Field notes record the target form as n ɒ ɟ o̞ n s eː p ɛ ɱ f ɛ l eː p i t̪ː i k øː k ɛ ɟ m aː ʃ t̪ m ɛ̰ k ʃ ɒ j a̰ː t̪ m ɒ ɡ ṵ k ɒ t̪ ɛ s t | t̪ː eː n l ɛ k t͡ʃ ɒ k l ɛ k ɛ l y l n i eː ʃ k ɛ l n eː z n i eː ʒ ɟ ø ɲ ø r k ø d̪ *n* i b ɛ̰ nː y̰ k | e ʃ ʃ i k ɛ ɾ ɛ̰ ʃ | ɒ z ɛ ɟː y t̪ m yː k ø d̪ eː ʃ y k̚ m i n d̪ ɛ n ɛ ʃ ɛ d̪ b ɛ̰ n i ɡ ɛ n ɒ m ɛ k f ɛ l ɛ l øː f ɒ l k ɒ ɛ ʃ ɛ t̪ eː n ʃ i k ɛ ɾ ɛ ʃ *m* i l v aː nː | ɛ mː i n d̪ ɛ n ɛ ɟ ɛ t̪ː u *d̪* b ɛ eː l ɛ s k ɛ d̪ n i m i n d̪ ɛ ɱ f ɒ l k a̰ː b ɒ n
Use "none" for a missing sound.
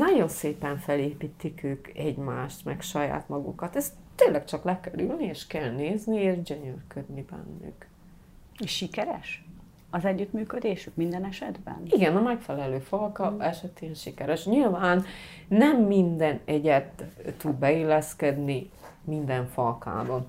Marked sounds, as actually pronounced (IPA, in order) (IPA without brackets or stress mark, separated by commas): n, ɲ, d̪